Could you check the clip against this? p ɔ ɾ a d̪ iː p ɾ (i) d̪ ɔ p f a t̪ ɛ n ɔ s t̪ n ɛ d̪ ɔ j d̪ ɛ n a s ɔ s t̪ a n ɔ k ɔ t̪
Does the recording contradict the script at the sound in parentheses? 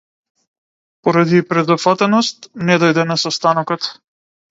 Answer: yes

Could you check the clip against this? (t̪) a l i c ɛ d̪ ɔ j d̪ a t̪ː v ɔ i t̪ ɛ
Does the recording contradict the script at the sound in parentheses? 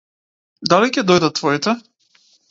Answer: yes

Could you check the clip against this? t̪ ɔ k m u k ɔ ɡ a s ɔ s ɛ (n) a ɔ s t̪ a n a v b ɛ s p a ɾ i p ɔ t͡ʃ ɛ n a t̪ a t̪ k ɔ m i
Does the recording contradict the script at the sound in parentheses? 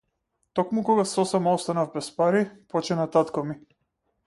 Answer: yes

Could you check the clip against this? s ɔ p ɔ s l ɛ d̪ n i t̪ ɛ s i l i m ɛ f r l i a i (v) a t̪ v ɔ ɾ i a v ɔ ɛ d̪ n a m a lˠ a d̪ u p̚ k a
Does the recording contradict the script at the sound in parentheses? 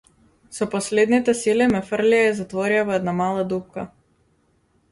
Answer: yes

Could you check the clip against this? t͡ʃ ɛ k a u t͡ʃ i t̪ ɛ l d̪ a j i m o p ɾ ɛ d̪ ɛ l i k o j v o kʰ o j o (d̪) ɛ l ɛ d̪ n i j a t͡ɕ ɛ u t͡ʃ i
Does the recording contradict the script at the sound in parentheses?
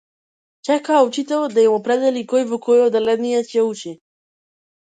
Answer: no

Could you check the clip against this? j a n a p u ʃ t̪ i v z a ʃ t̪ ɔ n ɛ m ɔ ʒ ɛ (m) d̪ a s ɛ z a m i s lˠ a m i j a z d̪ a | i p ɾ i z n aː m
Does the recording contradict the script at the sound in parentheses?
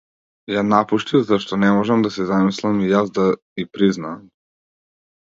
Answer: no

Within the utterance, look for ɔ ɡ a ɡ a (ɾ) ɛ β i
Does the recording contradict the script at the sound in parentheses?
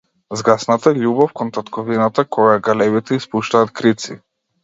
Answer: yes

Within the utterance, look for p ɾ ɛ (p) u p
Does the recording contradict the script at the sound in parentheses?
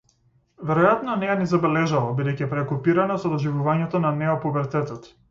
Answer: yes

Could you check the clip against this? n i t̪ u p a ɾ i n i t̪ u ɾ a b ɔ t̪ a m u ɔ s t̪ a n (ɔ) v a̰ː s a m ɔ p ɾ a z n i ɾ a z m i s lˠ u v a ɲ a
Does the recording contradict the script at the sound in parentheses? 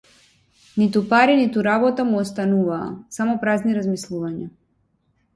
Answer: yes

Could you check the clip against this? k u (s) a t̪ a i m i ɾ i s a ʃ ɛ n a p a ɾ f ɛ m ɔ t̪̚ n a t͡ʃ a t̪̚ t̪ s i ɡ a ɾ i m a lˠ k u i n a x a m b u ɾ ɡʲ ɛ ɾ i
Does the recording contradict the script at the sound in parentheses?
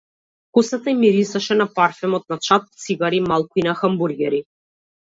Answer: no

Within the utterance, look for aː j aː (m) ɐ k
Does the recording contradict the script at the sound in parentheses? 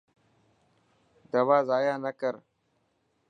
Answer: yes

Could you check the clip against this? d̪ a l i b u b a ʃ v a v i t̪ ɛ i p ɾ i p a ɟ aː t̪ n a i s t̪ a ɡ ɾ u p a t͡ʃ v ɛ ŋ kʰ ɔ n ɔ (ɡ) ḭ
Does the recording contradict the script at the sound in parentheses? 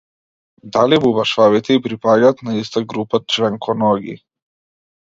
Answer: no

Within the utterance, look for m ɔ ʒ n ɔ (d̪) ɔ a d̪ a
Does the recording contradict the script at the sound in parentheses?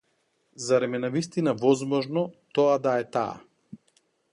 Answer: yes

